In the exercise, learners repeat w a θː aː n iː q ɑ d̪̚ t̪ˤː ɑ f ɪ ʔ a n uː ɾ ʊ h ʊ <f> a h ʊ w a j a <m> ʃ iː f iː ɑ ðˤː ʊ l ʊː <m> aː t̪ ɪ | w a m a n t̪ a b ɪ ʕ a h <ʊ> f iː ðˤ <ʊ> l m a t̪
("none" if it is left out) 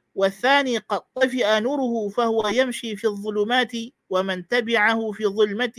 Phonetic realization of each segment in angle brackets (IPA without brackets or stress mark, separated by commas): f, m, m, ʊ, ʊ